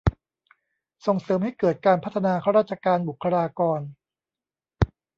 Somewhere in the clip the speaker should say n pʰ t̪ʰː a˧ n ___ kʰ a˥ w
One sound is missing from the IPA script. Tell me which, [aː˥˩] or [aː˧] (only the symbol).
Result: aː˧